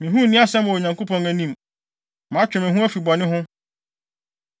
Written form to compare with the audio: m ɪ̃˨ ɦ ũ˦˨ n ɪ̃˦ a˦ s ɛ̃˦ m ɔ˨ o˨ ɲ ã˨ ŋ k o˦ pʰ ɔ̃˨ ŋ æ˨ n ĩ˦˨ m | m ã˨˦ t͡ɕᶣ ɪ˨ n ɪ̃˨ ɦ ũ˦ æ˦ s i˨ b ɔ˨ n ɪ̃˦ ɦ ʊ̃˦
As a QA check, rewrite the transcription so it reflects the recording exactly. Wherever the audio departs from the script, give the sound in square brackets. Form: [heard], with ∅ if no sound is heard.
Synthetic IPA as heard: m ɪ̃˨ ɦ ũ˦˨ n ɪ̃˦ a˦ s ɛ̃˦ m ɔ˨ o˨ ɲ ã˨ ŋ k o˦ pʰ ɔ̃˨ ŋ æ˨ n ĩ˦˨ m | m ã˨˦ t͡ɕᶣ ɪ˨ [m] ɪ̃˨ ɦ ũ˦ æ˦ [f] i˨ b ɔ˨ n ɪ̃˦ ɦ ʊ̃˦